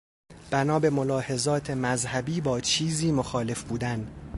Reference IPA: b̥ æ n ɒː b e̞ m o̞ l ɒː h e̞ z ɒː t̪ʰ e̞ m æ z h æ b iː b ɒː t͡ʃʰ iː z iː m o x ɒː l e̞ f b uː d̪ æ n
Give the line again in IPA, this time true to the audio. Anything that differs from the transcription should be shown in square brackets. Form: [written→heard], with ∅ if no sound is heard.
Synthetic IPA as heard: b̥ æ n ɒː b e̞ m o̞ l ɒː h e̞ z ɒː t̪ʰ e̞ m æ z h æ b iː b ɒː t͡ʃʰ iː z iː m o x ɒː l e̞ f b uː d̪ æ n